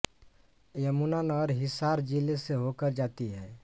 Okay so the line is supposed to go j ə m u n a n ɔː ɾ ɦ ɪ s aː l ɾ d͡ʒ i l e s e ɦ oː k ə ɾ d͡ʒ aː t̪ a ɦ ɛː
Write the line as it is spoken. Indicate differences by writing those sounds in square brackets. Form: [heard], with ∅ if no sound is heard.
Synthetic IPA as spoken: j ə m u n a n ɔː ɾ ɦ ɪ s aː [∅] ɾ d͡ʒ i l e s e ɦ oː k ə ɾ d͡ʒ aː t̪ [i] ɦ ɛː